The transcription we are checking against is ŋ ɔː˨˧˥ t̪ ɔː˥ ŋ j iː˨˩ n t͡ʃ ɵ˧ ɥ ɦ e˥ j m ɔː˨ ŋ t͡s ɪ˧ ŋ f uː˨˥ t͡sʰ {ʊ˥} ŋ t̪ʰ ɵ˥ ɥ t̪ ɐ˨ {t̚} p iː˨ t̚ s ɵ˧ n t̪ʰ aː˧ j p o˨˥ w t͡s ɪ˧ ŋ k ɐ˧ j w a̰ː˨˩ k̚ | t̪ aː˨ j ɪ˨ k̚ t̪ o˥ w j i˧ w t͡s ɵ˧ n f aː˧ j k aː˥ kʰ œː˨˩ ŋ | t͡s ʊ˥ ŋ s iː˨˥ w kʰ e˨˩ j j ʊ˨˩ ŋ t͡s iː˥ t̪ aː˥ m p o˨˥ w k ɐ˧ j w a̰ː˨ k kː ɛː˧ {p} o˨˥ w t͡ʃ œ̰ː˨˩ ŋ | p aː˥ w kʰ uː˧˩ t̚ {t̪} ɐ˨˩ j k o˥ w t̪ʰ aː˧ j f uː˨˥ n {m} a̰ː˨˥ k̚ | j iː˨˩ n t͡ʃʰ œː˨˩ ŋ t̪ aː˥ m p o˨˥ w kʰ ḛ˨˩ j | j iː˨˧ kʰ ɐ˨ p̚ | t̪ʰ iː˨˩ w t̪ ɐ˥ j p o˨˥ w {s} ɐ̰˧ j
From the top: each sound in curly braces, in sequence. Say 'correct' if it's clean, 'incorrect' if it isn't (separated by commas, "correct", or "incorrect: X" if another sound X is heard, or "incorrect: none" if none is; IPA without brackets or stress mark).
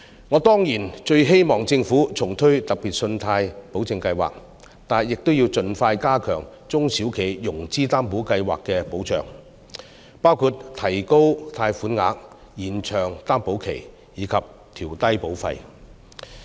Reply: incorrect: ʊ˨˩, incorrect: k̚, correct, incorrect: t̪ʰ, incorrect: ŋ, incorrect: f